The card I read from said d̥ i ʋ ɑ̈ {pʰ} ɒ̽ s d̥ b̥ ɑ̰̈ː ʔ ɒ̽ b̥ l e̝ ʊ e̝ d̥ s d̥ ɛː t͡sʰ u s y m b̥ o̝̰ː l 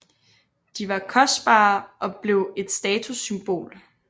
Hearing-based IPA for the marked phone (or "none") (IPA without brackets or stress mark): kʰ